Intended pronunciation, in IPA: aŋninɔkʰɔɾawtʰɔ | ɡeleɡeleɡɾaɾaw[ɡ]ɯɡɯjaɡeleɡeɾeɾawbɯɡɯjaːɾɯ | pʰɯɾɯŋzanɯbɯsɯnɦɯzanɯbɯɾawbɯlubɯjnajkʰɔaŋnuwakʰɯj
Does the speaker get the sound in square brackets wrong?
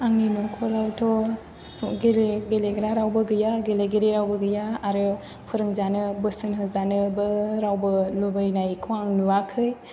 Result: yes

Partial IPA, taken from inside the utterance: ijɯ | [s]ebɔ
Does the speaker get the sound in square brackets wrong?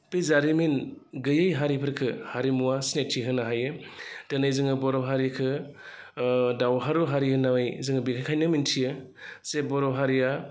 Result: no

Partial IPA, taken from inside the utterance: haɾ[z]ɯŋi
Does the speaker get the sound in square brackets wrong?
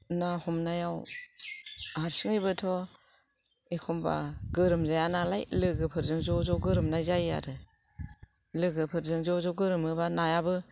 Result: yes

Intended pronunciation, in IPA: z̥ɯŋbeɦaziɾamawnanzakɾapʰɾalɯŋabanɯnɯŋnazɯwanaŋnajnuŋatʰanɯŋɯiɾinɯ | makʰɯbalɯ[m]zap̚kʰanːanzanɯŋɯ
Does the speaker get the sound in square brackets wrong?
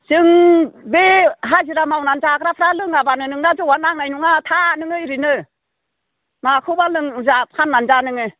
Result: yes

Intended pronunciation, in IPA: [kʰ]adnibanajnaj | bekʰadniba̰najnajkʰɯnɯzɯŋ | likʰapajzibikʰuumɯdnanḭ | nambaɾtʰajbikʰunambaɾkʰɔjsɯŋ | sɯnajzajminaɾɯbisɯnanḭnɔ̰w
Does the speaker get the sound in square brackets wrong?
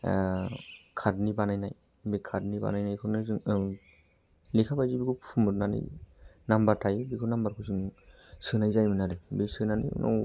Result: no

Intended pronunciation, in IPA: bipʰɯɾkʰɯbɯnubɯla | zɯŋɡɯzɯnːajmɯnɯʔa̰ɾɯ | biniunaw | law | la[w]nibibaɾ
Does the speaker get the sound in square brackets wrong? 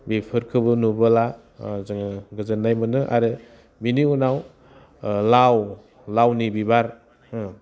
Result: no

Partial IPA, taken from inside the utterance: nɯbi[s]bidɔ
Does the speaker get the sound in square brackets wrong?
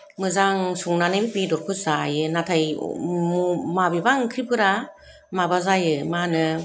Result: yes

